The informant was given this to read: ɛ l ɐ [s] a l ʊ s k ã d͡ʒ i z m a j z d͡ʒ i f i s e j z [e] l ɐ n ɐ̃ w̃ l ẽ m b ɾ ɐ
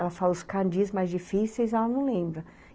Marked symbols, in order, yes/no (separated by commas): no, no